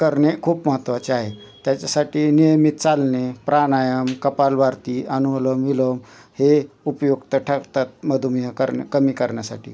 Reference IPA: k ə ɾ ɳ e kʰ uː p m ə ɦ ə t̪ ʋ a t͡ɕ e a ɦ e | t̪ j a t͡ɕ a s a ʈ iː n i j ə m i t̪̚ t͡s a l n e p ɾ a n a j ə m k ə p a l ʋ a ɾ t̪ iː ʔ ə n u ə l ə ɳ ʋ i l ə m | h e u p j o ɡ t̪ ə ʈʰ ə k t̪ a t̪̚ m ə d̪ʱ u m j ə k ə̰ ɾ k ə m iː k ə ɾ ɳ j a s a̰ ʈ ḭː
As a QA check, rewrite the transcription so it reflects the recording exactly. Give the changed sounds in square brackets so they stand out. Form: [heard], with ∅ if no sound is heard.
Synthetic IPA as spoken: k ə ɾ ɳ e kʰ uː p m ə ɦ ə t̪ ʋ a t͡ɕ e a ɦ e | t̪ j a t͡ɕ a s a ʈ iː n i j ə m i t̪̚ t͡s a l n e p ɾ a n a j ə m k ə p a l ʋ a ɾ t̪ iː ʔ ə n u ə l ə [m] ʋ i l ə m | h e u p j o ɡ t̪ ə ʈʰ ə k t̪ a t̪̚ m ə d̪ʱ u m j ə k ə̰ ɾ k ə m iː k ə ɾ ɳ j a s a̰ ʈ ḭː